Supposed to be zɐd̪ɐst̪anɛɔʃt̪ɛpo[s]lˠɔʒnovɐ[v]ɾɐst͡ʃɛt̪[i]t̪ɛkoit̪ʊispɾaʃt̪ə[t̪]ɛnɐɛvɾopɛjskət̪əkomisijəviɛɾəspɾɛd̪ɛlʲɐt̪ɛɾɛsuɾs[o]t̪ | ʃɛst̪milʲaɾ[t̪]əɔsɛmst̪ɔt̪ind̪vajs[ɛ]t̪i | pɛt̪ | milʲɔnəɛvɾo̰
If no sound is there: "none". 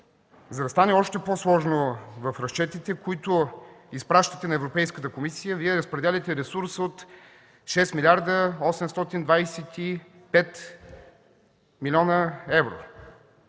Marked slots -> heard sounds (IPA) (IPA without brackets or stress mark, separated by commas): s, f, i, t̪, o, d̪, ɛ